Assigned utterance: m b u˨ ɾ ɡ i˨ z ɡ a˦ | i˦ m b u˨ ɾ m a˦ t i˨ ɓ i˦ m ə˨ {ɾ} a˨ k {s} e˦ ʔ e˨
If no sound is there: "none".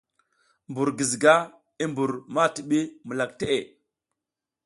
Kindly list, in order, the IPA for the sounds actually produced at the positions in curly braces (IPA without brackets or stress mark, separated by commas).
l, t